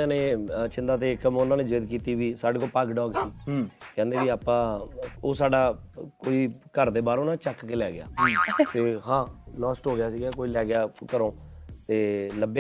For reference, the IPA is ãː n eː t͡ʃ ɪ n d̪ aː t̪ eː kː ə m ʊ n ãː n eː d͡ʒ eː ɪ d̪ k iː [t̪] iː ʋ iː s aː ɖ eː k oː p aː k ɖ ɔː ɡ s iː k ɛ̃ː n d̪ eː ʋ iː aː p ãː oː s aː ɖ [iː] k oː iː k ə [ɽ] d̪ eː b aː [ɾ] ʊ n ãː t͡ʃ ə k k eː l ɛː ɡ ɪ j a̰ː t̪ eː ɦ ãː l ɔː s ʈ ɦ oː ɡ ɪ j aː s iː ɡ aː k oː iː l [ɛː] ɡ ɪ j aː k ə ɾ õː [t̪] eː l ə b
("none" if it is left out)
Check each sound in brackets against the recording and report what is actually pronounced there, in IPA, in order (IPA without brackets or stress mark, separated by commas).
t̪, aː, ɾ, ɾ, ɛː, t̪